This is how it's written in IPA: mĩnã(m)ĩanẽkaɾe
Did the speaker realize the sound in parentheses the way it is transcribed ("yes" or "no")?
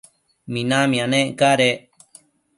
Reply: yes